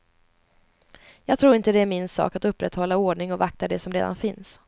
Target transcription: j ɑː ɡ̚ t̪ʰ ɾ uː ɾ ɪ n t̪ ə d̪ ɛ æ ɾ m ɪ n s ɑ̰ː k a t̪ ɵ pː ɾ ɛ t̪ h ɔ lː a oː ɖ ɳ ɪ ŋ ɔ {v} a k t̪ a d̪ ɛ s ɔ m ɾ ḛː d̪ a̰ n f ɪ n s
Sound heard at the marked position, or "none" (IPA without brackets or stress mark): v